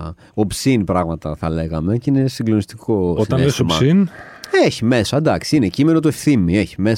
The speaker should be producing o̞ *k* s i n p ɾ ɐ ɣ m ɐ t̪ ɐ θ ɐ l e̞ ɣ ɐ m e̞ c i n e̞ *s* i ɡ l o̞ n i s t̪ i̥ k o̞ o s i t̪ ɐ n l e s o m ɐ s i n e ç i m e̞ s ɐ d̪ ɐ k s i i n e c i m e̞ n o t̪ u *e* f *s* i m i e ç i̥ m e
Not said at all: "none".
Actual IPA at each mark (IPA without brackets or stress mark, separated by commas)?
p, s, e, θ